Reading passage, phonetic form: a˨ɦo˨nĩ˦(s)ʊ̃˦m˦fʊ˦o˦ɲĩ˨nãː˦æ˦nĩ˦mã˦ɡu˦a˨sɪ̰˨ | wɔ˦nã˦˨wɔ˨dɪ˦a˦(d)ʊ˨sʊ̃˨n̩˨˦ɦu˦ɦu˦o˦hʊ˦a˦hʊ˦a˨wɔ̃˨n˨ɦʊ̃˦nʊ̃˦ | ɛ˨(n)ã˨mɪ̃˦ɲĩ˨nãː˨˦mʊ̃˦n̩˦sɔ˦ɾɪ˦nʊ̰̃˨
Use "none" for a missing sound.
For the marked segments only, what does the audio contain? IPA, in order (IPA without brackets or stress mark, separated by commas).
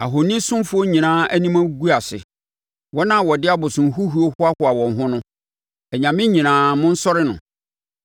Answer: s, b, ɲ